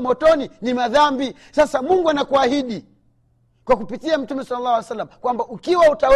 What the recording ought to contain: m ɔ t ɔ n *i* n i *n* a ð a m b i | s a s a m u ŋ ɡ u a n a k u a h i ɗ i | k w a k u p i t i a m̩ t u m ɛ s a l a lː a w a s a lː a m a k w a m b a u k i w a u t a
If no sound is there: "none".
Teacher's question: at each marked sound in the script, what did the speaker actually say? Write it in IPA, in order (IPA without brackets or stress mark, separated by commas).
i, m